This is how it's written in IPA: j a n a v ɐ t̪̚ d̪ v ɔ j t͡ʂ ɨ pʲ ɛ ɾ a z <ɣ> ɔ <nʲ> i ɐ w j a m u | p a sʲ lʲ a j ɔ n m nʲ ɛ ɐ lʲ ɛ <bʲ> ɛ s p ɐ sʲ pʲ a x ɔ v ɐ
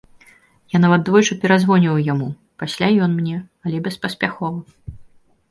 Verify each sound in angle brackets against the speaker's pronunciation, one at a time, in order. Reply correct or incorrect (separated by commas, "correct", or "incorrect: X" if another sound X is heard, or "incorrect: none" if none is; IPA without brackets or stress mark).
incorrect: v, correct, correct